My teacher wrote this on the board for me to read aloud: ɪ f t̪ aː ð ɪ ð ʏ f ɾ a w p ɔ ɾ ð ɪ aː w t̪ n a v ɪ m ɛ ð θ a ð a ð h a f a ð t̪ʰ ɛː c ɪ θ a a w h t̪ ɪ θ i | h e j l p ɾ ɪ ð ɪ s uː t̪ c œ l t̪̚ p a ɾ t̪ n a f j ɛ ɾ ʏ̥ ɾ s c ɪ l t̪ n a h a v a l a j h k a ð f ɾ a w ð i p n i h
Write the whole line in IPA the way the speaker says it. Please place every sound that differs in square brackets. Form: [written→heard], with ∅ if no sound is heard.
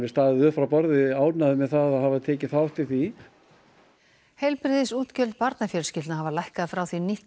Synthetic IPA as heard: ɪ [f→s] t̪ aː ð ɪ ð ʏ f ɾ a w p ɔ ɾ ð ɪ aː w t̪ n a [v→ð] ɪ m ɛ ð θ a ð a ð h a [f→v] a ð t̪ʰ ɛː c ɪ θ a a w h t̪ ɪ θ i | h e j l p ɾ ɪ ð ɪ s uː t̪ c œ l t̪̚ p a ɾ t̪ n a f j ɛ ɾ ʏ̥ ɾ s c ɪ l t̪ n a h a v a l a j h k a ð f ɾ a w [ð→θ] i [p→∅] n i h